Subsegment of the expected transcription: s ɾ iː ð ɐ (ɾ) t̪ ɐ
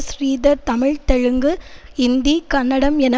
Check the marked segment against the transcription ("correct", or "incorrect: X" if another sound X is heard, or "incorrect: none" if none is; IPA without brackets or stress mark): correct